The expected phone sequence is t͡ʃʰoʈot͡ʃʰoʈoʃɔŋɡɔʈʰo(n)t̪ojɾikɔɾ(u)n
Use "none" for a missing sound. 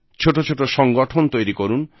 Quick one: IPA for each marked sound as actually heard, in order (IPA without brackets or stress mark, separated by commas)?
n, u